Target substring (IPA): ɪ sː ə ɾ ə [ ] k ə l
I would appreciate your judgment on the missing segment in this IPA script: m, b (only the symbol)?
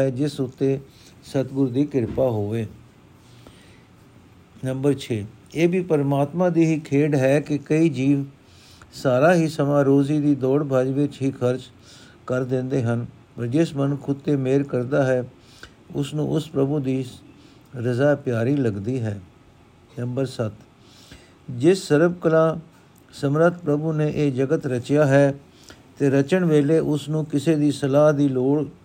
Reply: b